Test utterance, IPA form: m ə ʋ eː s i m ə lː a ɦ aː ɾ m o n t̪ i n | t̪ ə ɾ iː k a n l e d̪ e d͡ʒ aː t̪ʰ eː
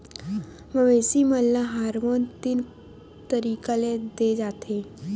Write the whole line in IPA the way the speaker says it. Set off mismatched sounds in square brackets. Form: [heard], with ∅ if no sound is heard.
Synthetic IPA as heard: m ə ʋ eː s i m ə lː a ɦ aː ɾ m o n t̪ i n | t̪ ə ɾ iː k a [∅] l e d̪ e d͡ʒ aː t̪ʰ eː

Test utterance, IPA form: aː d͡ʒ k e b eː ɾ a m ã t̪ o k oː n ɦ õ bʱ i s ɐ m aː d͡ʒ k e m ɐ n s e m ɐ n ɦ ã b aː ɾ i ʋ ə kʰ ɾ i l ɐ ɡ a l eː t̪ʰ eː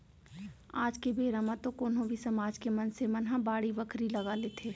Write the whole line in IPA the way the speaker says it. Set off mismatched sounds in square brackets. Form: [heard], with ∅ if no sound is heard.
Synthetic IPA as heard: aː d͡ʒ k e b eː ɾ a m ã t̪ o k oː n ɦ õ bʱ i s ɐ m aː d͡ʒ k e m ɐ n s e m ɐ n ɦ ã b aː [ɽ] i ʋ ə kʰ ɾ i l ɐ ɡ a l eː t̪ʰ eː

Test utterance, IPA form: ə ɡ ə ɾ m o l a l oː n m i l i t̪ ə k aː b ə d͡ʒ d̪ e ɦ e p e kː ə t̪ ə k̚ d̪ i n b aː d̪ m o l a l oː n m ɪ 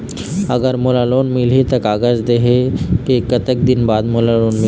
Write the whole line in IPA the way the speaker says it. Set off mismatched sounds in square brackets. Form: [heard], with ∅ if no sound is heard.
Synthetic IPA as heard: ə ɡ ə ɾ m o l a l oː n m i l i t̪ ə k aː [ɡ] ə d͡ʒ d̪ e ɦ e [k] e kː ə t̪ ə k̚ d̪ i n b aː d̪ m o l a l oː n m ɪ

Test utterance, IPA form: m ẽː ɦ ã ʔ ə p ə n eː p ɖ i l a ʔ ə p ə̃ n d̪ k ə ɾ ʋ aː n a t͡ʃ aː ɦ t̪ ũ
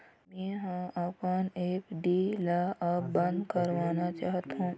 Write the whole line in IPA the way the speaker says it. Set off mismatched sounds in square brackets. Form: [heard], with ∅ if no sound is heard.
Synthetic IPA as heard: m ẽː ɦ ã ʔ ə p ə n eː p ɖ i l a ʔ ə [b] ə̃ n d̪ k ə ɾ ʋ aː n a t͡ʃ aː ɦ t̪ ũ

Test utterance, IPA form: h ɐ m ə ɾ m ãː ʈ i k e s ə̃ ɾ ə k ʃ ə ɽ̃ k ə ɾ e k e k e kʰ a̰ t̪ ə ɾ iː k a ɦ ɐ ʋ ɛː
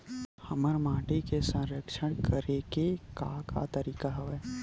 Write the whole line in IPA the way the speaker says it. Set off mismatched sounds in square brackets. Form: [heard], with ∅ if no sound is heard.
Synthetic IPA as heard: h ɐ m ə ɾ m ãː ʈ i k e s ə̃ ɾ ə k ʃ ə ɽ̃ k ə ɾ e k e k [a] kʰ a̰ t̪ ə ɾ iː k a ɦ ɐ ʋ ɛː

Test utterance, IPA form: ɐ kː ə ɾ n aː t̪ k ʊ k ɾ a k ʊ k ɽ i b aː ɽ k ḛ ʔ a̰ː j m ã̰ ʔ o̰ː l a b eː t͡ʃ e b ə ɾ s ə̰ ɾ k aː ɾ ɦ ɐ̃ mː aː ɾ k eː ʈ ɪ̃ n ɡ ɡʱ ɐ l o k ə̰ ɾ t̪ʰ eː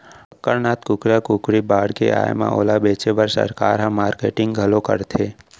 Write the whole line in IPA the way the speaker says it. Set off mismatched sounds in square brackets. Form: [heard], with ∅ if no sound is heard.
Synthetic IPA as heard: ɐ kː ə ɾ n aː t̪ k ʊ k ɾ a k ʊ k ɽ i b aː ɽ k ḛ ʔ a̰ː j m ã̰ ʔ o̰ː l a b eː t͡ʃ e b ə ɾ s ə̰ ɾ k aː ɾ ɦ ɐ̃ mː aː ɾ k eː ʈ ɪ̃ [ŋ] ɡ ɡʱ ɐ l o k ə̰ ɾ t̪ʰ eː

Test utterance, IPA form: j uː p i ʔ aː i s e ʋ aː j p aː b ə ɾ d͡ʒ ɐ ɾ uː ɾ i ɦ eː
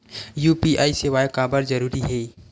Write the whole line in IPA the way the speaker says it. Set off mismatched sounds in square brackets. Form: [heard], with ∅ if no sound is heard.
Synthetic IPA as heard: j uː p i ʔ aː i s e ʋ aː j [k] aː b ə ɾ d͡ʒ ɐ ɾ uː ɾ i ɦ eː

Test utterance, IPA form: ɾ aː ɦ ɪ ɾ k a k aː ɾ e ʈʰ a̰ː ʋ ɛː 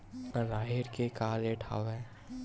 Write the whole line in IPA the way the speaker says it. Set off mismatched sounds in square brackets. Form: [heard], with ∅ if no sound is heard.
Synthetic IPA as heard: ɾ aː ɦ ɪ ɾ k [e] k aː [l] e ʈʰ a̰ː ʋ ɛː

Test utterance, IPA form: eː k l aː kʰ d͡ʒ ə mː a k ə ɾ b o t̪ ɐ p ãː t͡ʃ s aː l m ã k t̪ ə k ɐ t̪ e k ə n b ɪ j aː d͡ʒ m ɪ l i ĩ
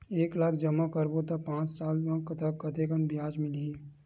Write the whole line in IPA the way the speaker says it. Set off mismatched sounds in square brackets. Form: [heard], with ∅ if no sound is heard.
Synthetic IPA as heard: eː k l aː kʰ d͡ʒ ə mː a k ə ɾ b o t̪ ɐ p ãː t͡ʃ s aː l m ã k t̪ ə k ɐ t̪ e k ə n b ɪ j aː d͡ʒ m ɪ l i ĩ

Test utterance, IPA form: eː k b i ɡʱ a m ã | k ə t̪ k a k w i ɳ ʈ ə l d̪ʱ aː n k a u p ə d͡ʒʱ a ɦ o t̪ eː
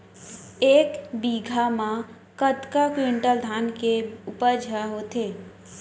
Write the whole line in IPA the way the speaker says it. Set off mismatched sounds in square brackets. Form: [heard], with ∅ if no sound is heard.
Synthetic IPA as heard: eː k b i ɡʱ a m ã | k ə t̪ k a k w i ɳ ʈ ə l d̪ʱ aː n k [e] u p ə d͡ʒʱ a ɦ o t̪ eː

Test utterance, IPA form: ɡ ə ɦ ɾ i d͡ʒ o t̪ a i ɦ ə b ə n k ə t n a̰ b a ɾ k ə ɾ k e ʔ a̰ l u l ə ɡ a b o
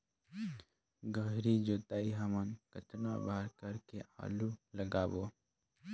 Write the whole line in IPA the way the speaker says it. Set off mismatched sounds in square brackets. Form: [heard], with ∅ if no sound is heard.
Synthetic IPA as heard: ɡ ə ɦ ɾ i d͡ʒ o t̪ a i ɦ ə [m] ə n k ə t n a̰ b a ɾ k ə ɾ k e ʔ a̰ l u l ə ɡ a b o

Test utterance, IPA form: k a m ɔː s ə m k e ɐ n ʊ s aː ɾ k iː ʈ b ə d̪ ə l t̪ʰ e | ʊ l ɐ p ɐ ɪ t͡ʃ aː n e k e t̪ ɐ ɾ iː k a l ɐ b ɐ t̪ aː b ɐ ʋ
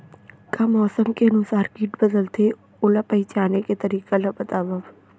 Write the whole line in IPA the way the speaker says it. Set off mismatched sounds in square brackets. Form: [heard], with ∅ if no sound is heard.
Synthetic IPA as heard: k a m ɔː s ə m k e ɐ n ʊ s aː ɾ k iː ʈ b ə d̪ ə l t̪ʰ e | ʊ l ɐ p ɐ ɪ t͡ʃ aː n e k e t̪ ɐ ɾ iː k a l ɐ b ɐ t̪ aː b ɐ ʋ

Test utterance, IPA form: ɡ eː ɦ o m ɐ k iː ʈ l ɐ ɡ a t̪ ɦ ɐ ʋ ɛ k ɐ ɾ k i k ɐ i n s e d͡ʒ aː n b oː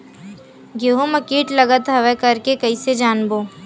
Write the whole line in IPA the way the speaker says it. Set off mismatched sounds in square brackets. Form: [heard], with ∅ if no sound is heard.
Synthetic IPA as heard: ɡ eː ɦ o m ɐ k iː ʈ l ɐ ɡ [ə] t̪ ɦ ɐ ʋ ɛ k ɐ ɾ k [e] k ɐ i [∅] s e d͡ʒ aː n b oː

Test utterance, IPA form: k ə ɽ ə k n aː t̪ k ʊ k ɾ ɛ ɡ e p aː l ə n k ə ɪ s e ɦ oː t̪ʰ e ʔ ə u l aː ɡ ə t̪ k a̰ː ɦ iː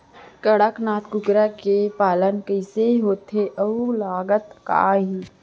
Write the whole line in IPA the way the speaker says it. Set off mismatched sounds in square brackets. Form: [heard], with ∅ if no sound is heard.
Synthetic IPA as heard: k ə ɽ ə k n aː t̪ k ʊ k ɾ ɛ [k] e p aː l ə n k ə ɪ s e ɦ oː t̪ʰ e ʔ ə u l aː ɡ ə t̪ k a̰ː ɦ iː

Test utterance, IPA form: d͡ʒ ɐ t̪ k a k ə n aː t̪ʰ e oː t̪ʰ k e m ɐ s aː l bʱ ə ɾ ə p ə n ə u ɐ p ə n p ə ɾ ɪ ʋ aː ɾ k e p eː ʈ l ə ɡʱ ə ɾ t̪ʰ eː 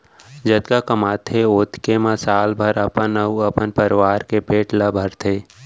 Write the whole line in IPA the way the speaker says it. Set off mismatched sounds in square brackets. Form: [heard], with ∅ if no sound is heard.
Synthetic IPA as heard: d͡ʒ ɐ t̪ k a k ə [m] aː t̪ʰ e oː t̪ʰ k e m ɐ s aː l bʱ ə ɾ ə p ə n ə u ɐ p ə n p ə ɾ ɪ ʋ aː ɾ k e p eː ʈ l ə [bʱ] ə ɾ t̪ʰ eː

